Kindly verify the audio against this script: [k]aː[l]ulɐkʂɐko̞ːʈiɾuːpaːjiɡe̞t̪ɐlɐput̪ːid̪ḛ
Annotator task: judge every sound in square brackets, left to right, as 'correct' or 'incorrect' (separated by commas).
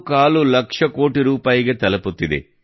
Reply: correct, correct